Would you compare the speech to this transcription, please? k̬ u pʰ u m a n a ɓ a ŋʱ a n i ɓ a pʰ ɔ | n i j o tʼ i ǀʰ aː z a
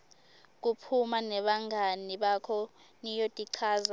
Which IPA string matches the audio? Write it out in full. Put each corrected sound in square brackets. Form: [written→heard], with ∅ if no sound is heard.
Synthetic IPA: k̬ u pʰ u m a n [a→ɛ] ɓ a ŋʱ a n i ɓ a [pʰ→kʰ] ɔ | n i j o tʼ i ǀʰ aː z a